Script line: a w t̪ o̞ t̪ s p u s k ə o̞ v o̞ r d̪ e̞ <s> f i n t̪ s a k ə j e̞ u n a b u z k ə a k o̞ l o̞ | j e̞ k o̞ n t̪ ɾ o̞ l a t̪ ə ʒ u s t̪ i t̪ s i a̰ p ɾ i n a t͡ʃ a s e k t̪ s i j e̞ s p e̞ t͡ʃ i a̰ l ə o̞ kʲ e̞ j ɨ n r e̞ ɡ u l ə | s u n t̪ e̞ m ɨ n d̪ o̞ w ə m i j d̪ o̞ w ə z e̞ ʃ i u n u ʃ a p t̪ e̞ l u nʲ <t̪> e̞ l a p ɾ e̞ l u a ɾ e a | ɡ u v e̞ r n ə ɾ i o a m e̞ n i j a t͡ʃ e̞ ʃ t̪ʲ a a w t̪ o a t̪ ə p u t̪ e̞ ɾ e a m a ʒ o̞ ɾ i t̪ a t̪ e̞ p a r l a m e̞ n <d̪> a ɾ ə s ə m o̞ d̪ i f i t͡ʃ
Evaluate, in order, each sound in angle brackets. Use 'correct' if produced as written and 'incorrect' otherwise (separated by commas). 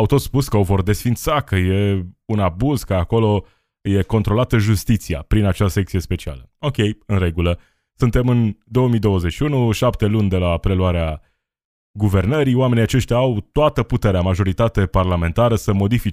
correct, incorrect, incorrect